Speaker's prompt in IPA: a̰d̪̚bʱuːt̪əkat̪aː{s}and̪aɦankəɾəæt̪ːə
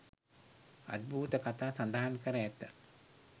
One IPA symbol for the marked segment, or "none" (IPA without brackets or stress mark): s